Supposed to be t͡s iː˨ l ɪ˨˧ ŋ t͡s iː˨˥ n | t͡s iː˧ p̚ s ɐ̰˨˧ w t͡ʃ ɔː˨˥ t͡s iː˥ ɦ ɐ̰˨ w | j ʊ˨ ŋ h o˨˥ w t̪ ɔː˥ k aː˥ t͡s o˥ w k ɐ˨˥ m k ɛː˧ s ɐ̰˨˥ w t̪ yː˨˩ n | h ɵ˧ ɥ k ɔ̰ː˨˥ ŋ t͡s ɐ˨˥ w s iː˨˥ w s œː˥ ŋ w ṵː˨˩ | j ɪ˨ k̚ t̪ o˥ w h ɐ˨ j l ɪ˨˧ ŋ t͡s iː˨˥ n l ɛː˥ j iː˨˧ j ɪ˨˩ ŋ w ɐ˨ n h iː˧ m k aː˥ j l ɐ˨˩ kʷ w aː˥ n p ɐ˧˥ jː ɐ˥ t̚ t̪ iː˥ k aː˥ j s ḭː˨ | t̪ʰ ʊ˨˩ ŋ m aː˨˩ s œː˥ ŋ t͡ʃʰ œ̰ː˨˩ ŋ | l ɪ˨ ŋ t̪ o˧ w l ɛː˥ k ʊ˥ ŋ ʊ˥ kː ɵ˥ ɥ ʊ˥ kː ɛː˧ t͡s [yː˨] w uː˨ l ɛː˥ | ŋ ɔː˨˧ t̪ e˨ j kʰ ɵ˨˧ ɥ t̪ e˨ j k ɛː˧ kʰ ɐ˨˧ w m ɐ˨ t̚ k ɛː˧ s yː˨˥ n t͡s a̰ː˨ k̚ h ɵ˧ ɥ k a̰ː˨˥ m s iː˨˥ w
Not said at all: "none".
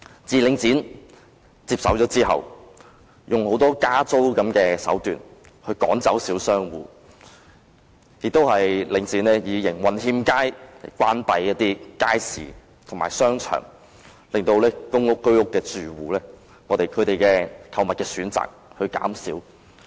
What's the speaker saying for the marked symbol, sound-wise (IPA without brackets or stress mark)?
yː˨